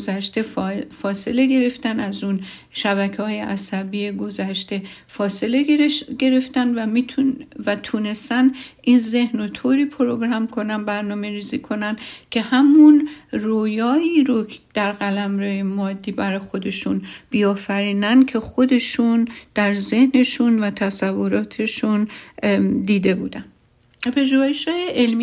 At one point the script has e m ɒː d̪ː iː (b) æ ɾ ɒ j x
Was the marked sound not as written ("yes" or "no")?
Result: no